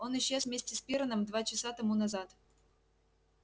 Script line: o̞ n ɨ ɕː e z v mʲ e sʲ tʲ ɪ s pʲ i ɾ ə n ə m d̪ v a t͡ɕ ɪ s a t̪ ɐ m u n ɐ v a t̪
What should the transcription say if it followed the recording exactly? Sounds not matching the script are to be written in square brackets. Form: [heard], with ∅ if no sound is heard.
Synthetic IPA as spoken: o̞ n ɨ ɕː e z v mʲ e sʲ tʲ ɪ s pʲ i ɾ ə n ə m d̪ v a t͡ɕ ɪ s a t̪ ɐ m u n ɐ [z] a t̪

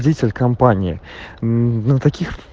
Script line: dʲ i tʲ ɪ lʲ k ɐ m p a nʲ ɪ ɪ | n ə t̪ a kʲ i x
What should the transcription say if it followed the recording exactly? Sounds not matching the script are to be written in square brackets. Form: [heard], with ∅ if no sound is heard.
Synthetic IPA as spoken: dʲ i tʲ ɪ lʲ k ɐ m p a nʲ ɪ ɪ | n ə t̪ [ɐ] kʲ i x

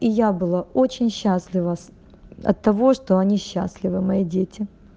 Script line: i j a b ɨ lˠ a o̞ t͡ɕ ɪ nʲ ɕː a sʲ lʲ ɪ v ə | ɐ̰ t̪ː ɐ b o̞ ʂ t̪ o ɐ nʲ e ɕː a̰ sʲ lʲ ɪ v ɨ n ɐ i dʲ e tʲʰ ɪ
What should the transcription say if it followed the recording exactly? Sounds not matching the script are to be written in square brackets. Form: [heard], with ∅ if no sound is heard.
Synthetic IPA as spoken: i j a b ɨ lˠ a o̞ t͡ɕ ɪ nʲ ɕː a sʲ lʲ ɪ v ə | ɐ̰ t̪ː ɐ [v] o̞ ʂ t̪ o ɐ nʲ [i] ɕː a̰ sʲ lʲ ɪ v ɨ [m] ɐ i dʲ e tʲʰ ɪ

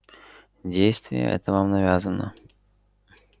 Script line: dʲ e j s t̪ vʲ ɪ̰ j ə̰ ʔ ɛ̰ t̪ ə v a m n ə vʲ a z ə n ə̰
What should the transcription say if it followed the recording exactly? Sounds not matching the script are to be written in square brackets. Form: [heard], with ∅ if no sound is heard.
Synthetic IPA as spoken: dʲ e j s t̪ vʲ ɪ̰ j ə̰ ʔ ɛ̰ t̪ ə v a m n [ɐ] vʲ a z ə n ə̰

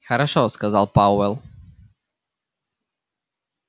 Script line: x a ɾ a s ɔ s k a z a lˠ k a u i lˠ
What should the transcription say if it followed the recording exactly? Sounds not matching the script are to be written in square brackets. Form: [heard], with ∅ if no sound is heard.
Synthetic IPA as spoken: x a ɾ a [ʃ] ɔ s k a z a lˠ [p] a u [ɛ] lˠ

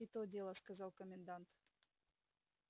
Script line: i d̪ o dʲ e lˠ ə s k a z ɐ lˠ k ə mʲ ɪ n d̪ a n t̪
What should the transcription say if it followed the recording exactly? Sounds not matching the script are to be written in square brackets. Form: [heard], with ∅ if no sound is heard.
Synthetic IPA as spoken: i [t̪] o dʲ e lˠ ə s k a z [ɑ] lˠ k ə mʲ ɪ n d̪ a n t̪

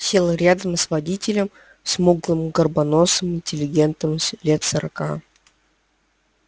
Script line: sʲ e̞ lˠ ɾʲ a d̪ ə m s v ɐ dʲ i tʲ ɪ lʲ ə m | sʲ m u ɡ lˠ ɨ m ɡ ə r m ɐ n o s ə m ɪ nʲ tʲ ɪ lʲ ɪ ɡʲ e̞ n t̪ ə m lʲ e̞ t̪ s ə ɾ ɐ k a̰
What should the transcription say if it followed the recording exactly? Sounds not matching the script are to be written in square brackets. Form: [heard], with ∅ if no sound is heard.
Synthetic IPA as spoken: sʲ e̞ lˠ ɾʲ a d̪ ə m s v ɐ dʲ i tʲ ɪ lʲ ə m | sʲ m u ɡ lˠ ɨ m ɡ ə r [b] ɐ n o s ə m ɪ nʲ tʲ ɪ lʲ ɪ ɡʲ e̞ n t̪ ə m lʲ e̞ t̪ s ə ɾ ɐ k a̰

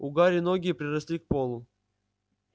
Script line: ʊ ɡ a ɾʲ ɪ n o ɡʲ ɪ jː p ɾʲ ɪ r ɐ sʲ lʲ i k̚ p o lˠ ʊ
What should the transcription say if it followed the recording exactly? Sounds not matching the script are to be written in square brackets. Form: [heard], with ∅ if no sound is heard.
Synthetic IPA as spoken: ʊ ɡ a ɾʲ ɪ n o ɡʲ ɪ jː p ɾʲ ɪ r ɐ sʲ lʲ i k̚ p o lˠ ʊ

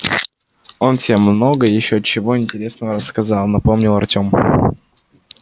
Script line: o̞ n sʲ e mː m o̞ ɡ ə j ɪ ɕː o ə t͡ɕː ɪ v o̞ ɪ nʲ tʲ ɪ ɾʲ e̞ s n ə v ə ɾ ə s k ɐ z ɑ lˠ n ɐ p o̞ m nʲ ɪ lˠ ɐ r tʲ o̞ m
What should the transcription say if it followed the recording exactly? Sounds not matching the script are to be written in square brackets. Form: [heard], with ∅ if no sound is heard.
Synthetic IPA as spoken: o̞ n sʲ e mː [n] o̞ ɡ ə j ɪ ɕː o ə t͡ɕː ɪ v o̞ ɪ nʲ tʲ ɪ ɾʲ e̞ s n ə v ə ɾ ə s k ɐ z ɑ lˠ n ɐ p o̞ m nʲ ɪ lˠ ɐ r tʲ o̞ m

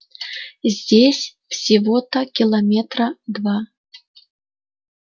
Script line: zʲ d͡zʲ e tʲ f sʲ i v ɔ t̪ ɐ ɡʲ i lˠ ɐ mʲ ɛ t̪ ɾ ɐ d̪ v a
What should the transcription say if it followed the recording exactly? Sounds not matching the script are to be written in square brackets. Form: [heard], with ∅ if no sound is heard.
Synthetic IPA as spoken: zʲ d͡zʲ e [sʲ] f sʲ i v ɔ t̪ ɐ [kʲ] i lˠ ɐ mʲ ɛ t̪ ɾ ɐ d̪ v a

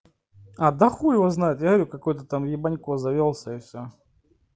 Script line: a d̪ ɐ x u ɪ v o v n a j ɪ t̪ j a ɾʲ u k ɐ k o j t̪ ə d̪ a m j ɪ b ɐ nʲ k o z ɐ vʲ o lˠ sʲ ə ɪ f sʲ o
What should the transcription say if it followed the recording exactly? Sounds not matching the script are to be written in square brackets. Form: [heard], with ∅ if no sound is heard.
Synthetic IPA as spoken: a d̪ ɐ x u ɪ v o [z] n a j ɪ t̪ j a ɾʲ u k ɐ k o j t̪ ə [t̪] a m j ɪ b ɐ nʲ k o z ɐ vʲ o lˠ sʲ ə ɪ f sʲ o

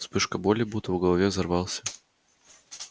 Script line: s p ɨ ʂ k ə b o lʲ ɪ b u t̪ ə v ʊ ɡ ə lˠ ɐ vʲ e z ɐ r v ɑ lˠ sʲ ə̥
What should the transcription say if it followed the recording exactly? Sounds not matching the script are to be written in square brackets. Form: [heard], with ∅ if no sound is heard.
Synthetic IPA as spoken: s p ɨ ʂ k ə b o lʲ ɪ b u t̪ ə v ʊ ɡ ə lˠ ɐ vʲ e z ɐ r v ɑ lˠ sʲ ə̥

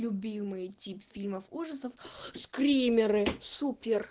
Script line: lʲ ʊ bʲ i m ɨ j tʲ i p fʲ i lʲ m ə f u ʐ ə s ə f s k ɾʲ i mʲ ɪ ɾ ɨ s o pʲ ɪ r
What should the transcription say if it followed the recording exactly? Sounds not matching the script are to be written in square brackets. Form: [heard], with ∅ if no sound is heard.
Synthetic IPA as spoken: lʲ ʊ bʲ i m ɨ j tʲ i p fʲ i lʲ m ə f u ʐ ə s ə f s k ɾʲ i mʲ ɪ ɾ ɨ s [u] pʲ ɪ r

